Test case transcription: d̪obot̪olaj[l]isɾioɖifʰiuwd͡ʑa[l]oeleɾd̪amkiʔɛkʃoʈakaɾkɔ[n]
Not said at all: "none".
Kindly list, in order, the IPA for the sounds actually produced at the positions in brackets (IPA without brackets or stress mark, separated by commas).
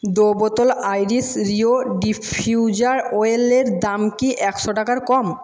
ɾ, ɾ, m